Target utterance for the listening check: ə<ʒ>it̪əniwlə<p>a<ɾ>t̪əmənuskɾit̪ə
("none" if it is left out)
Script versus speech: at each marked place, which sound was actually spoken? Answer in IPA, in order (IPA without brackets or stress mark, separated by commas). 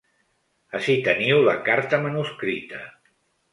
ʃ, k, ɾ